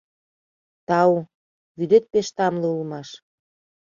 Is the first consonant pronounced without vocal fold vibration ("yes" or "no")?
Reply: yes